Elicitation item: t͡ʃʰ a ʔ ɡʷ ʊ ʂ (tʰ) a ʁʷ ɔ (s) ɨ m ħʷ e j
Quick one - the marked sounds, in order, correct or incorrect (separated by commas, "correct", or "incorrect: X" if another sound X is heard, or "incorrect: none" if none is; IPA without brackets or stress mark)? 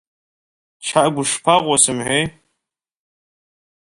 incorrect: pʰ, correct